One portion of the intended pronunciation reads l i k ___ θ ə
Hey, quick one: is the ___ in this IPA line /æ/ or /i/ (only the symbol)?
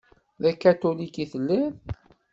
i